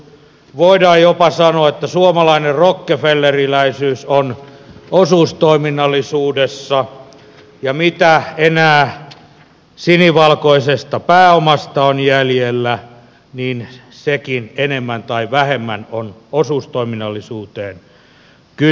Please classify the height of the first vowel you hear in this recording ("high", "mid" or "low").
mid